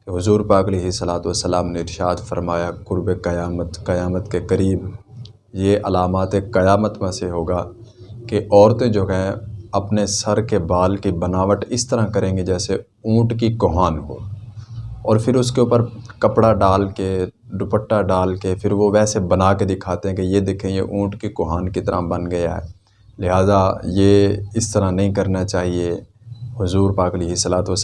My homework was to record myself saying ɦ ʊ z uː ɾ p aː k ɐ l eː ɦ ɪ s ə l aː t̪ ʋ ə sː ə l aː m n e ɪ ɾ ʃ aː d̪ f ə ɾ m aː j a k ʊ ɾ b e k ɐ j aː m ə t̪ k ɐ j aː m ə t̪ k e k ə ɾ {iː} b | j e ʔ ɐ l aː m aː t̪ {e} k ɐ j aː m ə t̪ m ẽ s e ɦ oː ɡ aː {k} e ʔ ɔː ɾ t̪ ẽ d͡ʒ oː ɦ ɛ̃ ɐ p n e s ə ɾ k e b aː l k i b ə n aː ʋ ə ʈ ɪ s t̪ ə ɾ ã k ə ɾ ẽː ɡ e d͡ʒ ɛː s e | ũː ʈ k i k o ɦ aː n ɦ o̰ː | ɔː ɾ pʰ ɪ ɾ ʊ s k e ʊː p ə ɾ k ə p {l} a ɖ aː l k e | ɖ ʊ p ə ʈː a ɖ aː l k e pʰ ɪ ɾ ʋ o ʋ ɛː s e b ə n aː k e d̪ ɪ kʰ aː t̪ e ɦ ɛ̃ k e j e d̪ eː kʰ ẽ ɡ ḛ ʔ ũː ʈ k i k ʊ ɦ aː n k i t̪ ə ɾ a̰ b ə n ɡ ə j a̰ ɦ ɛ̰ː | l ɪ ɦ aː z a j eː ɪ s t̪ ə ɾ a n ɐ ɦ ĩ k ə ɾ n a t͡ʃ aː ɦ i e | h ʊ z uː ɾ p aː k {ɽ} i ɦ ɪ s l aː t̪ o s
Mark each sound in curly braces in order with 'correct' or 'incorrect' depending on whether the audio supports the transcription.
correct, correct, correct, incorrect: ɽ, incorrect: l

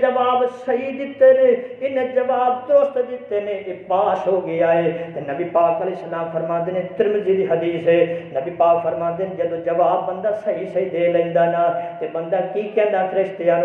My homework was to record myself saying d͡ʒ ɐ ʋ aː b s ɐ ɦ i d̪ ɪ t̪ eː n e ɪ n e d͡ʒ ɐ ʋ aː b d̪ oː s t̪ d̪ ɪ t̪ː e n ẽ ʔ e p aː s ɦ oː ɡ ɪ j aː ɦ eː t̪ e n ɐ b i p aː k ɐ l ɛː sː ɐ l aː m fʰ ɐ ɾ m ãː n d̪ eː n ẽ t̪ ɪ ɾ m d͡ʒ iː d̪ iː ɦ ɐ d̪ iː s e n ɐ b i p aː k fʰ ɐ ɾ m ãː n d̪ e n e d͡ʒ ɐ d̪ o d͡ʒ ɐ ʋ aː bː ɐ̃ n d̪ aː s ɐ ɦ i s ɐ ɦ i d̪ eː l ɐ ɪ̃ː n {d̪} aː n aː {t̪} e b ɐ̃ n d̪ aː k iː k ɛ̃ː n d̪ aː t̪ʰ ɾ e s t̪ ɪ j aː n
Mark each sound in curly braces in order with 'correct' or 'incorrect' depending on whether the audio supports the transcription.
correct, correct

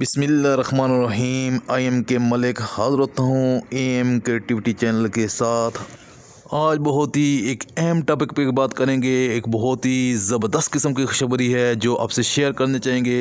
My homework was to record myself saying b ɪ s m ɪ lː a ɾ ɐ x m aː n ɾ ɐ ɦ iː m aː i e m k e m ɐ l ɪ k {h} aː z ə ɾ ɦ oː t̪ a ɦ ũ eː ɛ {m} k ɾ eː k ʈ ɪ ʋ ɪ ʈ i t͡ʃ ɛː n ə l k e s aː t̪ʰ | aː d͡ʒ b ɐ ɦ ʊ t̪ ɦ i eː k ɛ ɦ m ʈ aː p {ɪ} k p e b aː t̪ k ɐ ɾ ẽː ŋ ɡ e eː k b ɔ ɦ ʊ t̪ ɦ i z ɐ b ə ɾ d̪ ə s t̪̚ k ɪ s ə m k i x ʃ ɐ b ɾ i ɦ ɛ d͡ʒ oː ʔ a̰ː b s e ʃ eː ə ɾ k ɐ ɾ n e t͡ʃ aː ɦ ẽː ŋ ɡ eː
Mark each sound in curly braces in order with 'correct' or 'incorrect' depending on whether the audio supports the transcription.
correct, correct, correct

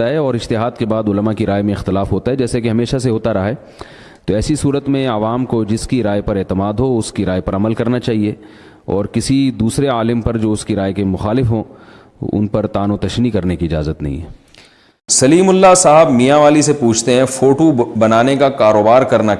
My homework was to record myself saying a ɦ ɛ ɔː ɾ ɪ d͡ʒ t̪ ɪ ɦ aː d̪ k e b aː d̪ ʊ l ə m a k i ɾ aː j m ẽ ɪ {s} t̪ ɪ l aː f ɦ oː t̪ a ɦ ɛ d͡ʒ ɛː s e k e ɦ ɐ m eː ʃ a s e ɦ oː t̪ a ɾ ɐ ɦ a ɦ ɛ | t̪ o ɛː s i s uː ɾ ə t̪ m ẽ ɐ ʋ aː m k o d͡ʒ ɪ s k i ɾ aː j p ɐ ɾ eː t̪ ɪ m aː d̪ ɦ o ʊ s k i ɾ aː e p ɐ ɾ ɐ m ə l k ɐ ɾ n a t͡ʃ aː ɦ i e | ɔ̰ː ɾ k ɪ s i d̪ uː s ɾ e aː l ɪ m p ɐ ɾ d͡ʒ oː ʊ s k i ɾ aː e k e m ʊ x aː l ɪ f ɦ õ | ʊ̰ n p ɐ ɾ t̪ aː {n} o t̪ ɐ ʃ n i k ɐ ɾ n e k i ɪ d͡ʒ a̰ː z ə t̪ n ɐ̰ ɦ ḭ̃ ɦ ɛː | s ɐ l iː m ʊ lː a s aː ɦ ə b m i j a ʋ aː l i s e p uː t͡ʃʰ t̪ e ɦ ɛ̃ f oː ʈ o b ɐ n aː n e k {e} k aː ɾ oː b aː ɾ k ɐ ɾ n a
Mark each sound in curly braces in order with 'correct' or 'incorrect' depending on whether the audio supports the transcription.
incorrect: x, correct, incorrect: a

